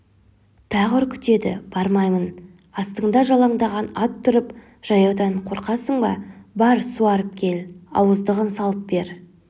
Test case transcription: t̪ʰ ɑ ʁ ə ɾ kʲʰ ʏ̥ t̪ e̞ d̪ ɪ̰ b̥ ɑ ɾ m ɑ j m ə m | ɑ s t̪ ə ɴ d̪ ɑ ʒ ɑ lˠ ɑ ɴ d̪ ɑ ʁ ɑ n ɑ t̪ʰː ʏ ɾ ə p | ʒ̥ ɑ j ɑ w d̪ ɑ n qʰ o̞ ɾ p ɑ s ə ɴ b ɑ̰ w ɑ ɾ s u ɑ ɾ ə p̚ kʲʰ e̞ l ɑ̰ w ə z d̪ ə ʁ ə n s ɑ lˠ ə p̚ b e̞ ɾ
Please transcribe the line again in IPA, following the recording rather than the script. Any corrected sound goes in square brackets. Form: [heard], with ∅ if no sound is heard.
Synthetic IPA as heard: t̪ʰ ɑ ʁ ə ɾ kʲʰ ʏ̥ t̪ e̞ d̪ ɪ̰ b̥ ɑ ɾ m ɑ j m ə [n] | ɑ s t̪ ə ɴ d̪ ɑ ʒ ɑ lˠ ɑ ɴ d̪ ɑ ʁ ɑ n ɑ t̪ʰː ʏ ɾ ə p | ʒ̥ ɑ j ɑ w d̪ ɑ [ɴ] qʰ o̞ ɾ [q] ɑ s ə ɴ b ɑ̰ [b] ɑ ɾ s u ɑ ɾ ə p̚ kʲʰ e̞ l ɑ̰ w ə z d̪ ə ʁ ə n s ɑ lˠ ə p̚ b e̞ ɾ

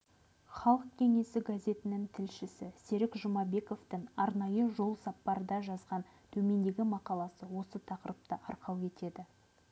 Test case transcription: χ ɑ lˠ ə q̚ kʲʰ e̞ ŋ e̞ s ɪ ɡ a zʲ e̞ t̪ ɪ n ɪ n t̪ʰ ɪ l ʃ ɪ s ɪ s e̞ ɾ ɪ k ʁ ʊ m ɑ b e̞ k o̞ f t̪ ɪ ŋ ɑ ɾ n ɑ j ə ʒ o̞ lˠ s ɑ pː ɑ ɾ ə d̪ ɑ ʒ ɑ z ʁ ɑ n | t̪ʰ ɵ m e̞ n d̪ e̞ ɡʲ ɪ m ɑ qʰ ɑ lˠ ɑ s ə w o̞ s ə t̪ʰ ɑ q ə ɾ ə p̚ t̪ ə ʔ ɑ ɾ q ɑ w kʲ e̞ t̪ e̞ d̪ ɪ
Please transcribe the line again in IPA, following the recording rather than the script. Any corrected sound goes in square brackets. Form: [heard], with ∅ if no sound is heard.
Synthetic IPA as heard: χ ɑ lˠ ə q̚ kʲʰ e̞ ŋ e̞ s ɪ ɡ a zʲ e̞ t̪ ɪ n ɪ [ŋ] t̪ʰ ɪ l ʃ ɪ s ɪ s e̞ ɾ ɪ k [ʒ] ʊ m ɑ b e̞ k o̞ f t̪ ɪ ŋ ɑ ɾ n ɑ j ə ʒ o̞ lˠ s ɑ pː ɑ ɾ ə d̪ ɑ ʒ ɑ z ʁ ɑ n | t̪ʰ ɵ m e̞ n d̪ e̞ ɡʲ ɪ m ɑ [q] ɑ lˠ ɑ s ə w o̞ s ə t̪ʰ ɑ q ə ɾ ə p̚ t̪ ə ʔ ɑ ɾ q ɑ w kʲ e̞ t̪ e̞ d̪ ɪ

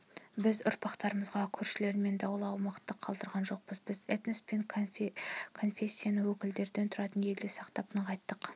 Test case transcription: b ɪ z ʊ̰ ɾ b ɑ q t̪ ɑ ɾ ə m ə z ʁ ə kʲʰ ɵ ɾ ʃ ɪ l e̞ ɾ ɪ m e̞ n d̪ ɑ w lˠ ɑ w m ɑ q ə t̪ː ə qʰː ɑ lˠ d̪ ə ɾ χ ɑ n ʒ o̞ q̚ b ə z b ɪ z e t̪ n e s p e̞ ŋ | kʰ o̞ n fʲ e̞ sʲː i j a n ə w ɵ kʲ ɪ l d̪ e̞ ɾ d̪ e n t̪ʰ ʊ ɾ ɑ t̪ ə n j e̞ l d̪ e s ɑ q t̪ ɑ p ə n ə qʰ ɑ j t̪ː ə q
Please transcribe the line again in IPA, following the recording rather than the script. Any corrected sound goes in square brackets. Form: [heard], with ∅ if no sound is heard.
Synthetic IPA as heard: b ɪ z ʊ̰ ɾ [p] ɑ q t̪ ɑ ɾ ə m ə z ʁ [ɑ] kʲʰ ɵ ɾ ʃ ɪ l e̞ ɾ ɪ m e̞ n d̪ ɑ w lˠ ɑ w m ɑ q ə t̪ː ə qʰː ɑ lˠ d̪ ə ɾ [ʁ] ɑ n ʒ o̞ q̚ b ə z b ɪ z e t̪ n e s p e̞ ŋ | kʰ o̞ n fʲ e̞ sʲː i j a n ə w ɵ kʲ ɪ l d̪ e̞ ɾ d̪ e n t̪ʰ ʊ ɾ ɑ t̪ ə n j e̞ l d̪ e s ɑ q t̪ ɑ p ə n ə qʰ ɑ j t̪ː ə q

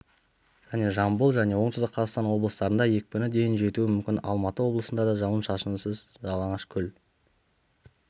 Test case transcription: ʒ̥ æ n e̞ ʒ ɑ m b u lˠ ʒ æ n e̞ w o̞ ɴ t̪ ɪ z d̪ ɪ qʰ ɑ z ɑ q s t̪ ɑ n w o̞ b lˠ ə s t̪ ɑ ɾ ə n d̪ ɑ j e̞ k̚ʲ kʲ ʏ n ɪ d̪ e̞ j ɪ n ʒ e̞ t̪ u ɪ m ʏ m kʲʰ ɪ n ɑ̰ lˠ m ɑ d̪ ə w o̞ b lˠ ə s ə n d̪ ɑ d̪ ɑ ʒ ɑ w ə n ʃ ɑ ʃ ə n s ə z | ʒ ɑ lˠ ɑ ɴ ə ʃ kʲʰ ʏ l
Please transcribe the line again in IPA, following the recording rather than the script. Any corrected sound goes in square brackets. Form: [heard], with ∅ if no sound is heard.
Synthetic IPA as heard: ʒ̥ æ n e̞ ʒ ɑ m b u lˠ ʒ æ n e̞ w o̞ ɴ t̪ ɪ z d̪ ɪ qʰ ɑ z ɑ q s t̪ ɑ n w o̞ b lˠ ə s t̪ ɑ ɾ ə n d̪ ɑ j e̞ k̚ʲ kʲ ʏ n ɪ d̪ e̞ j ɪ n ʒ e̞ t̪ u ɪ m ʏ m [kʲ] ɪ n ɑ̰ lˠ m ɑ [t̪] ə w o̞ b lˠ ə s ə n d̪ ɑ d̪ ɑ ʒ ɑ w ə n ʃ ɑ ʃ ə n s ə z | ʒ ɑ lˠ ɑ ɴ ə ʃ kʲʰ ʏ l

